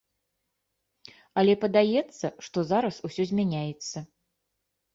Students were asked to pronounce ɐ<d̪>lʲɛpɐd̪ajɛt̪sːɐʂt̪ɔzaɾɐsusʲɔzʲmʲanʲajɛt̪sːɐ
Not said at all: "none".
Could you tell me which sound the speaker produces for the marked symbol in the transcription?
none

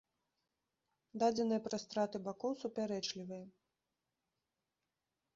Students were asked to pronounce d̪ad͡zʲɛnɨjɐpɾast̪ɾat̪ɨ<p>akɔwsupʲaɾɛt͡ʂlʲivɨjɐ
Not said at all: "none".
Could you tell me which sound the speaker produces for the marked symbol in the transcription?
b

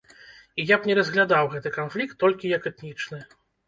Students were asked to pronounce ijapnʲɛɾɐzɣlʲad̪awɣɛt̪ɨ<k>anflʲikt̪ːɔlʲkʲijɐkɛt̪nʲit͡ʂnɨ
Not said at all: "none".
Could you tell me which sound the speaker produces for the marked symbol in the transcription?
k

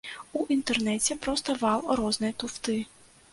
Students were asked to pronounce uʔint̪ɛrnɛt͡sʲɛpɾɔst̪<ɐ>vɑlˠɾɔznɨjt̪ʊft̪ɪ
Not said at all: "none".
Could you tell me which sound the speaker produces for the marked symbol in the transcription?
ɐ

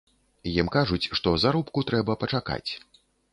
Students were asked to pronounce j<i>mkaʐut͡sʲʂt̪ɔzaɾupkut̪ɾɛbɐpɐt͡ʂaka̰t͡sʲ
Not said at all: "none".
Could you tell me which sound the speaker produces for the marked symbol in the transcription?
i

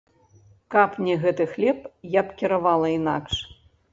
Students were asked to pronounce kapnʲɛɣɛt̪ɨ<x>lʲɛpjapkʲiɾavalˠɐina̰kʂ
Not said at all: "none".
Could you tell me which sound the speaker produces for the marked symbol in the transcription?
x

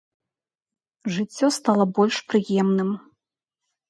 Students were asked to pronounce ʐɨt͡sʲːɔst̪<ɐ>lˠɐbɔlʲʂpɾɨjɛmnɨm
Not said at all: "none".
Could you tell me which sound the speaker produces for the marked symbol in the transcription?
a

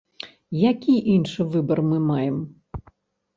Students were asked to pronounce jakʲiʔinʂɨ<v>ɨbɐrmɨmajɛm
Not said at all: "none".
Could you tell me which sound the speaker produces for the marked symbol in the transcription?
v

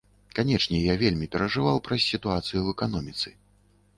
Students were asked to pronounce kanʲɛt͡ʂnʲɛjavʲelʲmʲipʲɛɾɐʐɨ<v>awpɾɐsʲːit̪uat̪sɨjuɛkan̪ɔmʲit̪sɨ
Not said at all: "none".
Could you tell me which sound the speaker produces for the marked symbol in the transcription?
v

